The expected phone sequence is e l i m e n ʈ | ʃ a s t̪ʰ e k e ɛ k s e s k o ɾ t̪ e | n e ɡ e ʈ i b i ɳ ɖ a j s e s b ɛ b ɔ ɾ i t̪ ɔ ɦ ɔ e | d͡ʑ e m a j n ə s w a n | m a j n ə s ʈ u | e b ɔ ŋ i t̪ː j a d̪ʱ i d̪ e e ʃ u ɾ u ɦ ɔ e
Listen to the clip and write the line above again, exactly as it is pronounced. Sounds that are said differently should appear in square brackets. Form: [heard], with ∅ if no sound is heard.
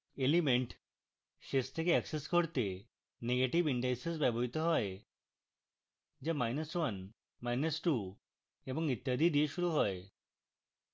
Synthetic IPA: e l i m e [ɳ] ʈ | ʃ [e] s t̪ʰ e k e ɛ k s e s k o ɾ t̪ e | n e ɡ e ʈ i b i ɳ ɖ a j s e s b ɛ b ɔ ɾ i t̪ ɔ ɦ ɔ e | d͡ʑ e m a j n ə s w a n | m a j n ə s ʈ u | e b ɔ ŋ i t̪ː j a d̪ʱ i d̪ [i] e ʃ u ɾ u ɦ ɔ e